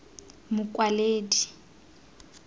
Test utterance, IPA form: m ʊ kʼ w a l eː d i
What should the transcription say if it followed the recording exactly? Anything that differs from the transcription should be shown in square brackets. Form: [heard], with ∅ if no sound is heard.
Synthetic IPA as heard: m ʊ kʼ w a l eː d i